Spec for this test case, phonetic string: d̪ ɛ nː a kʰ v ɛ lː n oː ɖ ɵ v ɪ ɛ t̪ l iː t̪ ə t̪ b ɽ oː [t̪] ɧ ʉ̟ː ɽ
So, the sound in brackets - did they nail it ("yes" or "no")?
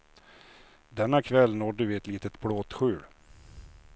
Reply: yes